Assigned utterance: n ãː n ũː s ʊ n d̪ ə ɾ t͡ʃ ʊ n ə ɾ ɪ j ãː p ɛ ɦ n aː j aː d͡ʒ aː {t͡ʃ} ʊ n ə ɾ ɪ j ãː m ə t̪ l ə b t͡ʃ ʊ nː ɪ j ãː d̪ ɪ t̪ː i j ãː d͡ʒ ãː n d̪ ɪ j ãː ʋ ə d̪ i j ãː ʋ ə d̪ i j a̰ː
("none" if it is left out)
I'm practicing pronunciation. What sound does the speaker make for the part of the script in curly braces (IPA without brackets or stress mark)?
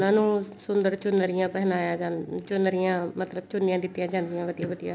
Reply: t͡ʃ